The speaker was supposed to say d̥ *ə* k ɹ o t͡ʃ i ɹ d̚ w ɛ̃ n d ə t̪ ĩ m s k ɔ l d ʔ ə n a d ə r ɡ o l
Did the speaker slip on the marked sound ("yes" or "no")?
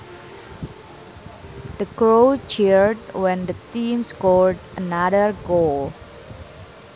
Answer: no